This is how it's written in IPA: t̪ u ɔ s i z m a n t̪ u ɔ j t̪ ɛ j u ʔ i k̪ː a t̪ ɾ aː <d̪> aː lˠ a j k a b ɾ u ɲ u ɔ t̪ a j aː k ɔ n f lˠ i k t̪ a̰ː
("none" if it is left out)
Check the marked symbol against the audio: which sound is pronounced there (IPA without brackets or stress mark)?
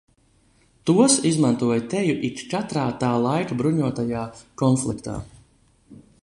t̪